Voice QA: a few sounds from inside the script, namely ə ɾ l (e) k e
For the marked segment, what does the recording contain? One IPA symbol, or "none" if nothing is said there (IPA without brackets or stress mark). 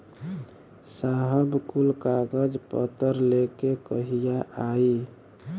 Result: e